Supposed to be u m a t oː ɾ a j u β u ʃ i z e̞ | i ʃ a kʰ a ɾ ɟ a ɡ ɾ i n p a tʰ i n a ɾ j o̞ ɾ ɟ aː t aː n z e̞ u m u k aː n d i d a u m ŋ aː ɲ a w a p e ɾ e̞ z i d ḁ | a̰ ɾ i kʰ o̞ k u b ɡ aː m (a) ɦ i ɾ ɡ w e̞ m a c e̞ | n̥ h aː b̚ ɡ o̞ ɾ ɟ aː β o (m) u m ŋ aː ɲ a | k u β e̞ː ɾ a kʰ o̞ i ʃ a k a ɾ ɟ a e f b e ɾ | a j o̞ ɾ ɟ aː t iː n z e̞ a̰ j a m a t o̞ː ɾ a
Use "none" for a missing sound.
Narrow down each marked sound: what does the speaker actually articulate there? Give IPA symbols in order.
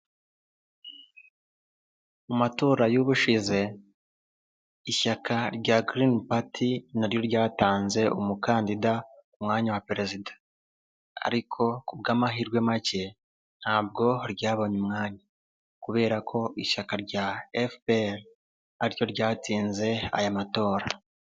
a, ɲ

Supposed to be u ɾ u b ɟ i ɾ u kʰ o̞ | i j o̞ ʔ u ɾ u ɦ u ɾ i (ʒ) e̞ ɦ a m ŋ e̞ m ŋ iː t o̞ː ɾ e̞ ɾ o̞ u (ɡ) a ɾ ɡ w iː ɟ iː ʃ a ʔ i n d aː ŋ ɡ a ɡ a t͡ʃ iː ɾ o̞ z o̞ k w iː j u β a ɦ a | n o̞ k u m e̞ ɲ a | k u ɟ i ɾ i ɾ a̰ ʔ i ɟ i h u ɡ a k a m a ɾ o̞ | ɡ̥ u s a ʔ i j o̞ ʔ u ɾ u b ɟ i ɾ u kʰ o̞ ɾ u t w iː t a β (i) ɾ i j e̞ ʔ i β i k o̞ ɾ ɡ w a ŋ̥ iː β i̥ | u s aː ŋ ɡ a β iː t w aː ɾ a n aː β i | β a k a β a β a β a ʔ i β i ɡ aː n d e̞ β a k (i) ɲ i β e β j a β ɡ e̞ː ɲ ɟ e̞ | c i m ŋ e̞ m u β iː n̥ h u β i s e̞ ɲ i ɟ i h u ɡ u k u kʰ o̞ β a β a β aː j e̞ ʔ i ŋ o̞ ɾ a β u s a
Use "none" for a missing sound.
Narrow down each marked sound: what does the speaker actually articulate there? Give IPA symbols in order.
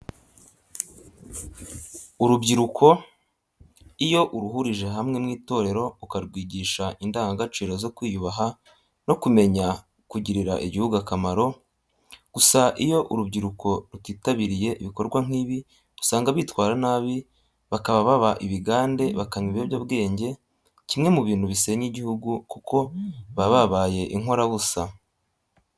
ʒ, k, i, a

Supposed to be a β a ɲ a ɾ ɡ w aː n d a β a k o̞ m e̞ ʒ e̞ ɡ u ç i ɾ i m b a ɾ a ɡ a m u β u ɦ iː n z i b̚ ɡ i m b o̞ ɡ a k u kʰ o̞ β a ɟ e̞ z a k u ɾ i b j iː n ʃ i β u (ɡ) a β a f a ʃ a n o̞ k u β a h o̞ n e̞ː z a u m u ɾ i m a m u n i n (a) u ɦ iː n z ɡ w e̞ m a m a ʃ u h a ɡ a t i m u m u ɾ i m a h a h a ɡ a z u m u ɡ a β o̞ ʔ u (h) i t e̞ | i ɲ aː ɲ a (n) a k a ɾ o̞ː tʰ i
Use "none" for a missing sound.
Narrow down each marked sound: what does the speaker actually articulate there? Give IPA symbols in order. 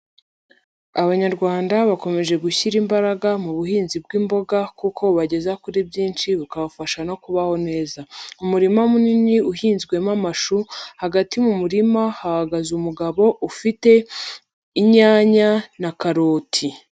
k, i, f, n

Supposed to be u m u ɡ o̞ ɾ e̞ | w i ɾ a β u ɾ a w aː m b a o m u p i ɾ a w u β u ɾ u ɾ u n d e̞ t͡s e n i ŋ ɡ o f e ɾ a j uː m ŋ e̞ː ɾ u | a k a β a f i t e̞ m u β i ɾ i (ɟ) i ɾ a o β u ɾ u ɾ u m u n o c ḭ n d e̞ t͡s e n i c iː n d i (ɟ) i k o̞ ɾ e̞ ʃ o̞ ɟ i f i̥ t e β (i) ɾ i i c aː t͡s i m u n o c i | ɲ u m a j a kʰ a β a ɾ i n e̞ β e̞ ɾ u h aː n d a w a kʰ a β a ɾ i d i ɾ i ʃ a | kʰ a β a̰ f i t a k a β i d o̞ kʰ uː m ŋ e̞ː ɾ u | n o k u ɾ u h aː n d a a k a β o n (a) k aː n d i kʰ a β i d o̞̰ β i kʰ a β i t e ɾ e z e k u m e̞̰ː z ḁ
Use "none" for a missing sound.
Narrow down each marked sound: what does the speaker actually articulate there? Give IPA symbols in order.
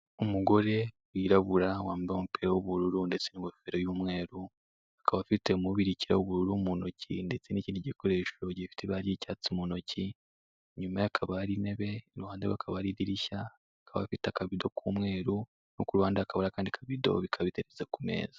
c, ɟ, a, a

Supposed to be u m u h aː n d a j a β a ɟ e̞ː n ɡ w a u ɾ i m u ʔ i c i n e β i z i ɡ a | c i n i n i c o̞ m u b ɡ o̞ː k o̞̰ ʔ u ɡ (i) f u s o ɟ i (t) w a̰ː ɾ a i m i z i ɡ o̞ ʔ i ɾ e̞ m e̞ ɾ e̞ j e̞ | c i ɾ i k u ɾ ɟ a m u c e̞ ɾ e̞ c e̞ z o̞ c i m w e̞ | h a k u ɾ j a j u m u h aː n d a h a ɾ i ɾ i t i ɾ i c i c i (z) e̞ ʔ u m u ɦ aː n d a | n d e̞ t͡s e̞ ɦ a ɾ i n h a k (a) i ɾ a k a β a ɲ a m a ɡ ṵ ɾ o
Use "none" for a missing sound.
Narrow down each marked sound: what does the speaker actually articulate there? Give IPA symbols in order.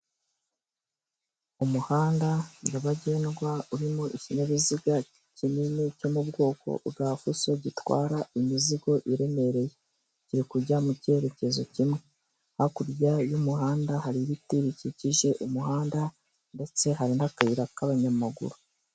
a, t, ʒ, a

